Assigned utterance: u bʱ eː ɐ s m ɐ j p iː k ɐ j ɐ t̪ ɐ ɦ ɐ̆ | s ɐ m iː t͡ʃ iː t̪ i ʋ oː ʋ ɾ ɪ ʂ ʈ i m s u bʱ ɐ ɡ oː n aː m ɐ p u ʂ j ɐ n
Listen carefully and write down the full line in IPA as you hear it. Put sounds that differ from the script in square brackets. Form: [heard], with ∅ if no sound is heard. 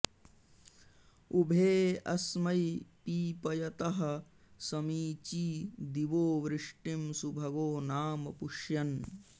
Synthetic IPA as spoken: u bʱ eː ɐ s m ɐ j p iː [p] ɐ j ɐ t̪ ɐ ɦ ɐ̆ | s ɐ m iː t͡ʃ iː [d̪] i ʋ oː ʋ ɾ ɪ ʂ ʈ i m s u bʱ ɐ ɡ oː n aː m ɐ p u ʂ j ɐ n